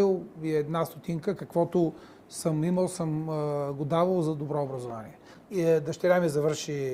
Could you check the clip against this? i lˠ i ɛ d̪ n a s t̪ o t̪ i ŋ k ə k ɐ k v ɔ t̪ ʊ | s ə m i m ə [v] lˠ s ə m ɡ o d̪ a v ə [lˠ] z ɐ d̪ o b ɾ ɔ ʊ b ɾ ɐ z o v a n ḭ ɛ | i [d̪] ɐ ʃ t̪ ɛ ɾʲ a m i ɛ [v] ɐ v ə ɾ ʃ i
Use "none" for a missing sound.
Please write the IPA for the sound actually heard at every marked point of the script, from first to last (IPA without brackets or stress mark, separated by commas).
none, lˠ, d̪, z